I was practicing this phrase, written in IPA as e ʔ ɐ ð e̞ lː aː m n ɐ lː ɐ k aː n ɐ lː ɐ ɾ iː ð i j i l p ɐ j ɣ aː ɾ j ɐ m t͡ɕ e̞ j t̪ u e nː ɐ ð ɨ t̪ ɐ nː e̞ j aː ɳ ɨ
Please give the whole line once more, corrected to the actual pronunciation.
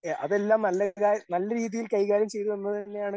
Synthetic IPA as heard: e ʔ ɐ ð e̞ lː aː m n ɐ lː ɐ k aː n ɐ lː ɐ ɾ iː ð i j i l k ɐ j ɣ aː ɾ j ɐ m t͡ɕ e̞ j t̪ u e nː ɐ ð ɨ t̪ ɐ nː e̞ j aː ɳ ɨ